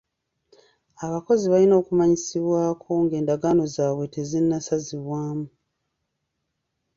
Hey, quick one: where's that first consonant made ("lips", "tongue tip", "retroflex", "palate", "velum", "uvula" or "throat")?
lips